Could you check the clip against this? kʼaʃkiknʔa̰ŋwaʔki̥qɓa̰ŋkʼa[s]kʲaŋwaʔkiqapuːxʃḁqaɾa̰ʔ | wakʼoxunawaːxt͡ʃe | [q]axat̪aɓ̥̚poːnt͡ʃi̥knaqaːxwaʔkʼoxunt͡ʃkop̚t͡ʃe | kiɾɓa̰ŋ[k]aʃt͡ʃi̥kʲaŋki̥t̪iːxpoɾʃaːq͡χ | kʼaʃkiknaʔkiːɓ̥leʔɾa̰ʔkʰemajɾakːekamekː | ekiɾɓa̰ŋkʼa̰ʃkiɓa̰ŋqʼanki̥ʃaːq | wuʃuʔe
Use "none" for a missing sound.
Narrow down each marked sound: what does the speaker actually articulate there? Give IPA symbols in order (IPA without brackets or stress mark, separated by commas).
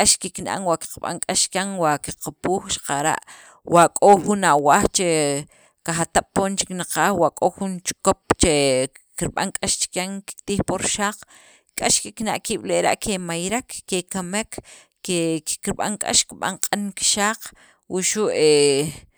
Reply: ʃ, k, kʼ